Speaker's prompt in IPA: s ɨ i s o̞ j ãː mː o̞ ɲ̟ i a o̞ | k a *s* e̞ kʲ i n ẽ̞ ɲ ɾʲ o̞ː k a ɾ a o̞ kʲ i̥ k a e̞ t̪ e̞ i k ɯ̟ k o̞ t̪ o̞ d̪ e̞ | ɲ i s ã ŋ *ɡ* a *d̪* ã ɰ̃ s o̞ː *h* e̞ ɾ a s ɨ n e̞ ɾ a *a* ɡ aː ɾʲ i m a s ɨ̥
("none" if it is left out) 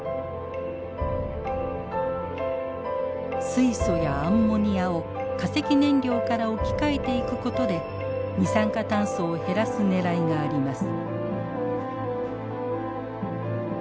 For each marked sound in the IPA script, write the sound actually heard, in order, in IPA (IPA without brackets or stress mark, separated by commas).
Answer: s, k, t̪, h, i